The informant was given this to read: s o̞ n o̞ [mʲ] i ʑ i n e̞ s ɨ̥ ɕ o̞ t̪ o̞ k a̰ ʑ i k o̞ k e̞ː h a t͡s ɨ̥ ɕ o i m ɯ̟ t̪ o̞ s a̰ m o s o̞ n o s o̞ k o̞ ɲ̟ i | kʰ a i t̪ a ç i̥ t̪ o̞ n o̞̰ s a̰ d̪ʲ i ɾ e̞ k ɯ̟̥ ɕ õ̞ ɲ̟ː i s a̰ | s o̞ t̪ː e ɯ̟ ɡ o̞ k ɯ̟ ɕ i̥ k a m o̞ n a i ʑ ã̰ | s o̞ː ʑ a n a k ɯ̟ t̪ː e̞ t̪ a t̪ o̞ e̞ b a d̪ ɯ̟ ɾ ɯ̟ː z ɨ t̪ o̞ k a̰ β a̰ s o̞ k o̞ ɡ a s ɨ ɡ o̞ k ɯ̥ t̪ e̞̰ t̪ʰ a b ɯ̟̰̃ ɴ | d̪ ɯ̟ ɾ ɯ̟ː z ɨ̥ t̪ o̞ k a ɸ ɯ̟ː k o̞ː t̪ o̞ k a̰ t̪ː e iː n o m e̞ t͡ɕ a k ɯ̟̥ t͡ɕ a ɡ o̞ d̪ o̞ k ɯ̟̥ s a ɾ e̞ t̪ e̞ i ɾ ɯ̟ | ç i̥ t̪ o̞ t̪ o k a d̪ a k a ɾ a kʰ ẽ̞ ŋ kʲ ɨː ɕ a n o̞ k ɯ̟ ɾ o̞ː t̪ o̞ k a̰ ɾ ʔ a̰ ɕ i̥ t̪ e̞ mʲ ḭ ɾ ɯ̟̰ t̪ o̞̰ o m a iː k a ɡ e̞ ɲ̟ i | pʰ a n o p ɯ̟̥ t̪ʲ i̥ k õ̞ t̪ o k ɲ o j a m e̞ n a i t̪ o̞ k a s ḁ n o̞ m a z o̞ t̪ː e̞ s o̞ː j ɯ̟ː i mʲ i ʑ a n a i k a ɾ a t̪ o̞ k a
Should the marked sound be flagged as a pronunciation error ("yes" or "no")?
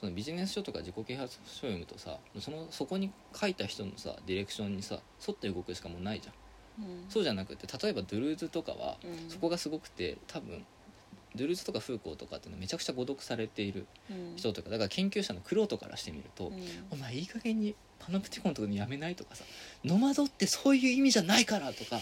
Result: yes